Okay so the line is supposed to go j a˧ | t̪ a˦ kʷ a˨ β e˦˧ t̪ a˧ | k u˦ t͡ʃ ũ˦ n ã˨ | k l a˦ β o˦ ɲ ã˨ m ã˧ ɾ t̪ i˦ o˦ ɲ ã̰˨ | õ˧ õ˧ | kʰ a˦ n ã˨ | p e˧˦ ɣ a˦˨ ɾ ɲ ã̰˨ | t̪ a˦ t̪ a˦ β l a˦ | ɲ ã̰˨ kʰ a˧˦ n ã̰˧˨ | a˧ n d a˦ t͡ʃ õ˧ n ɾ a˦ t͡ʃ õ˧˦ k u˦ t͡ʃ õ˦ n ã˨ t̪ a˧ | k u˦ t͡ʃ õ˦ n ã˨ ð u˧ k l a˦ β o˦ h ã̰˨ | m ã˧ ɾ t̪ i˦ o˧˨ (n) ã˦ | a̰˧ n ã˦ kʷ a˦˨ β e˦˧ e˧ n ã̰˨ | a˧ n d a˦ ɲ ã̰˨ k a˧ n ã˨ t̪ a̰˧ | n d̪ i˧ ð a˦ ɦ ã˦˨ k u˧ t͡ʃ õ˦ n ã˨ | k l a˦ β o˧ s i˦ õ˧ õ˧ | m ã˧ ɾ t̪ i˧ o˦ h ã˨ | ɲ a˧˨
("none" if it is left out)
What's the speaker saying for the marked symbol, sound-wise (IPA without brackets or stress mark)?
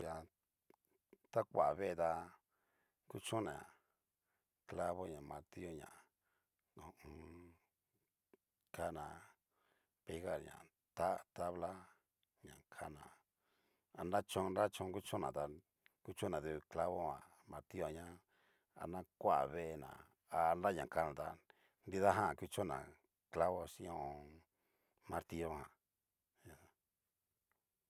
ɲ